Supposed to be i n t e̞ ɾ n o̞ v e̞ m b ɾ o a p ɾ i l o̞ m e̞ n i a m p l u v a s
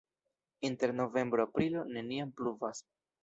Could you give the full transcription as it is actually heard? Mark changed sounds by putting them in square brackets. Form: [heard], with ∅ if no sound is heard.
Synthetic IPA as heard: i n t e̞ ɾ n o̞ v e̞ m b ɾ o a p ɾ i l o̞ [n] e̞ n i a m p l u v a s